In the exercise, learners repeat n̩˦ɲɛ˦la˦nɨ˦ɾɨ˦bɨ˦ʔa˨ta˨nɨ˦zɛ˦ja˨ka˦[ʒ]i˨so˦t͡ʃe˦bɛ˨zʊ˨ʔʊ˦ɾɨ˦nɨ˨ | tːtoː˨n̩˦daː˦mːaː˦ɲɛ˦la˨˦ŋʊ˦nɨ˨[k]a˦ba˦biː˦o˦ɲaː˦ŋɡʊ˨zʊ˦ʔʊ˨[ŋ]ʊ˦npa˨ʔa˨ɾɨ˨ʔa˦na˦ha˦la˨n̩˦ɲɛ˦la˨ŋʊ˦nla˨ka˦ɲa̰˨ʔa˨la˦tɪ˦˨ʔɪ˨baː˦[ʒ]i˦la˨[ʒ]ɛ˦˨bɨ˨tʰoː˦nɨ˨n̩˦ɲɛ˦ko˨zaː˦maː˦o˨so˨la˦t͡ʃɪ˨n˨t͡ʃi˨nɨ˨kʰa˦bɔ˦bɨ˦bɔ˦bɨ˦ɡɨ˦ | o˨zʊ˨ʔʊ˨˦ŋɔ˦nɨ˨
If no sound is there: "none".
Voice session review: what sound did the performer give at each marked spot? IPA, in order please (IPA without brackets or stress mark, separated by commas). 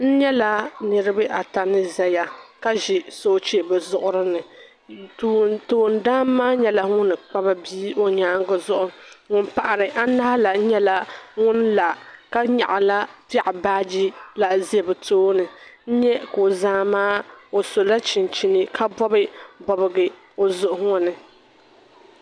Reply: ʒ, k͡p, ŋ, d͡ʒ, z